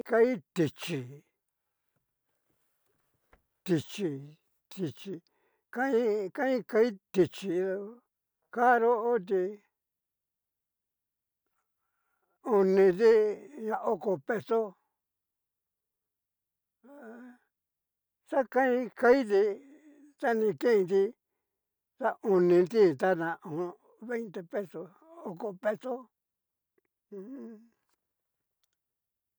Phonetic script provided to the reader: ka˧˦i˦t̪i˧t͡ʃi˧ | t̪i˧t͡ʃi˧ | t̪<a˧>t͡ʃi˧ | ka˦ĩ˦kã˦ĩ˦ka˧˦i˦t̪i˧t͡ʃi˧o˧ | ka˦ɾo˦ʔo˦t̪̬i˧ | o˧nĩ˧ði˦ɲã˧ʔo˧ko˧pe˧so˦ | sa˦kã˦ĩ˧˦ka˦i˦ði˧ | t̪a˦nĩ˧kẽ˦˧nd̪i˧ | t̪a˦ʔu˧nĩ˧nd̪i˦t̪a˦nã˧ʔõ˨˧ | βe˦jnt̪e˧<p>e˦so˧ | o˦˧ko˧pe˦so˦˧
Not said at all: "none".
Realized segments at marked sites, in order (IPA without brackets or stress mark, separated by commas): i˧, p